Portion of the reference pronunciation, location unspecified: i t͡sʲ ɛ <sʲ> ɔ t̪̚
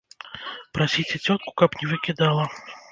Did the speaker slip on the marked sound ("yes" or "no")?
yes